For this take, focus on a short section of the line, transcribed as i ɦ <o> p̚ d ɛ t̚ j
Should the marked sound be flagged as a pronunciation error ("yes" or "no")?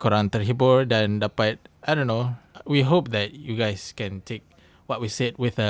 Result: no